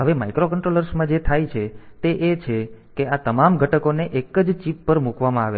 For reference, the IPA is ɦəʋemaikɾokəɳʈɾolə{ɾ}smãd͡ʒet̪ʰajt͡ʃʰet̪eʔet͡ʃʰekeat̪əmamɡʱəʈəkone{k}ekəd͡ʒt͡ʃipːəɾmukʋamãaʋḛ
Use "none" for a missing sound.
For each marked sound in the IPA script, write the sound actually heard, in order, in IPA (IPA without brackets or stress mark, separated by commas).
ɾ, ʔ